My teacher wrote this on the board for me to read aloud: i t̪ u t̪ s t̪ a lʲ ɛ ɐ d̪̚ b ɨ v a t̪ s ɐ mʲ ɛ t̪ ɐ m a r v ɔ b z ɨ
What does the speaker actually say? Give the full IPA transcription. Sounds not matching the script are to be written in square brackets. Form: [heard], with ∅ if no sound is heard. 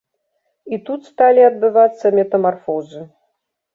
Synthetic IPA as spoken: i t̪ u t̪ s t̪ a lʲ [i] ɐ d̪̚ b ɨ v a t̪ [sː] ɐ mʲ ɛ t̪ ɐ m a r [f] ɔ [∅] z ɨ